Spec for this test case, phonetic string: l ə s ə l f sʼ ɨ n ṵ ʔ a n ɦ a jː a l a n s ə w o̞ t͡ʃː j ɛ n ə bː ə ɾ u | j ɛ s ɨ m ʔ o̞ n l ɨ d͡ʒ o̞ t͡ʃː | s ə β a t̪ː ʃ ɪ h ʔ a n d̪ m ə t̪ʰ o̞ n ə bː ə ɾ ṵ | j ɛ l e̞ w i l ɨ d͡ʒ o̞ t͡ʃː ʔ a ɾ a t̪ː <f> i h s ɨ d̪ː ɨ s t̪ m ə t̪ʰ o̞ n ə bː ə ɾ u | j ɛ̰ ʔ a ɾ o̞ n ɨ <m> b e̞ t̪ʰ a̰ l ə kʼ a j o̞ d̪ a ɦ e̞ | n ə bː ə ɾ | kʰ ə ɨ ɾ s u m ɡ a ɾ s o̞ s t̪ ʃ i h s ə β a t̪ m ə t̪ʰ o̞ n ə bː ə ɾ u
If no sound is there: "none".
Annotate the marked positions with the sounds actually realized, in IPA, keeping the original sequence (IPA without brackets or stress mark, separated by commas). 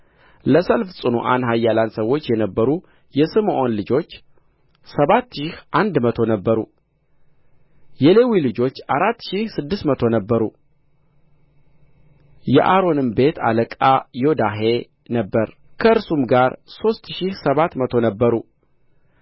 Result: ʃ, m